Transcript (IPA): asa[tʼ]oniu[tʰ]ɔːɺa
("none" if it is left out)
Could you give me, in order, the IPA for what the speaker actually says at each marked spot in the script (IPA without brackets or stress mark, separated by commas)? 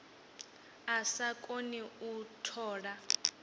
kʼ, tʰ